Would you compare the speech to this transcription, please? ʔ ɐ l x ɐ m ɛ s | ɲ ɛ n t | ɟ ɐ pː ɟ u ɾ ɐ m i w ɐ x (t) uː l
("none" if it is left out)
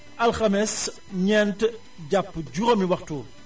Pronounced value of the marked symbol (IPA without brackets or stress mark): t